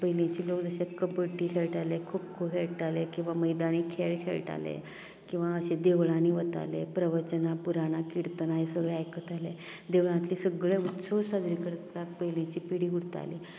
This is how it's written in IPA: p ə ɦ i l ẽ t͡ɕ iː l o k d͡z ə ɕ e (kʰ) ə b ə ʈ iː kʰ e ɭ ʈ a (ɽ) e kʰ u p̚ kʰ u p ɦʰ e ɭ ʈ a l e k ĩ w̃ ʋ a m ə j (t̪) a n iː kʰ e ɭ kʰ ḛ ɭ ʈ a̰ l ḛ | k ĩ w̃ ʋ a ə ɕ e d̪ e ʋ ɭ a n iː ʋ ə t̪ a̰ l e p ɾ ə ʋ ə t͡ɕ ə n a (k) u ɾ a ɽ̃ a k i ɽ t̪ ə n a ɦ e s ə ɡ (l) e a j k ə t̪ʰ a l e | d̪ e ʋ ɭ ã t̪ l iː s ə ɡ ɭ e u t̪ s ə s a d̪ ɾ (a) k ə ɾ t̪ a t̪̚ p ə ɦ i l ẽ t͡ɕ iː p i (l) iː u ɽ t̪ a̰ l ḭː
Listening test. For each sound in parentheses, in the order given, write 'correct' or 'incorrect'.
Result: incorrect: k, incorrect: l, incorrect: d̪, incorrect: p, incorrect: ɭ, incorrect: i, incorrect: ɽ

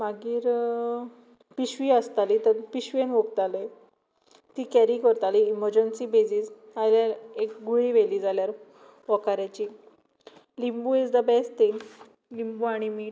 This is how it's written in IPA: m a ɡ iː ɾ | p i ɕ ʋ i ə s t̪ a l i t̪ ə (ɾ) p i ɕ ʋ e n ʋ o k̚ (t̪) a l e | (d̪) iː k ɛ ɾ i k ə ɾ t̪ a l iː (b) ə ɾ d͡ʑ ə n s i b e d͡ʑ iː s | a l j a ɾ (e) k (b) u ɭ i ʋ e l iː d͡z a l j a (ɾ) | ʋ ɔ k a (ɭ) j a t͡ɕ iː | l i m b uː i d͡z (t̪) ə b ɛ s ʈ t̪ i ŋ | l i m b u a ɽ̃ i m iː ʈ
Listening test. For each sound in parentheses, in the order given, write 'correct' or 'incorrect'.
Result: correct, correct, incorrect: t̪, incorrect: m, correct, incorrect: ɡ, correct, incorrect: ɾ, incorrect: d̪

